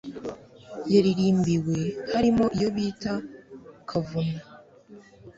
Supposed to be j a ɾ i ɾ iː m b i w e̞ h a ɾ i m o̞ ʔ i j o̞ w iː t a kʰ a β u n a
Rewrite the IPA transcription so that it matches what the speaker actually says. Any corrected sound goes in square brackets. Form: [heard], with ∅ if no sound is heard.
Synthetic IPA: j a ɾ i ɾ iː m b i w e̞ h a ɾ i m o̞ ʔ i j o̞ [β] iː t a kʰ a [v] u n a